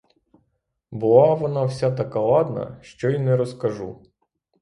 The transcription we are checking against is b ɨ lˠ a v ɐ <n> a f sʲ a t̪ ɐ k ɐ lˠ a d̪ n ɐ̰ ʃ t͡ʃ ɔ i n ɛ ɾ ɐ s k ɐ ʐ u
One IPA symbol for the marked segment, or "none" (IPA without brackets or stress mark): n